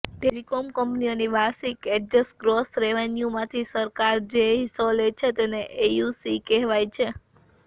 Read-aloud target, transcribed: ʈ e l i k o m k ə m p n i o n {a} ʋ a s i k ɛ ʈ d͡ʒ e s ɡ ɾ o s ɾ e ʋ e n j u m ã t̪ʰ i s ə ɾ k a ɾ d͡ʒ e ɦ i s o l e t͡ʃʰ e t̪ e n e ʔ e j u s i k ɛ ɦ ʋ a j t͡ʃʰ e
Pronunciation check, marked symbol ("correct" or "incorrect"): incorrect